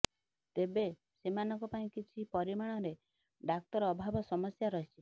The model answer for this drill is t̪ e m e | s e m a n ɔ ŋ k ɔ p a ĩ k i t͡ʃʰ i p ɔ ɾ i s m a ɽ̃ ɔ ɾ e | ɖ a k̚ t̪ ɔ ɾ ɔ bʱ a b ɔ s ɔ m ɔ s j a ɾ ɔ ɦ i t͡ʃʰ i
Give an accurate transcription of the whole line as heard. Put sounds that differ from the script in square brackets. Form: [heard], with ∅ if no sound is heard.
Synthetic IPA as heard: t̪ e [b] e | s e m a n ɔ ŋ k ɔ p a ĩ k i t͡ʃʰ i p ɔ ɾ i [∅] m a ɽ̃ ɔ ɾ e | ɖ a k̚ t̪ ɔ ɾ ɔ bʱ a b ɔ s ɔ m ɔ s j a ɾ ɔ ɦ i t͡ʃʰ i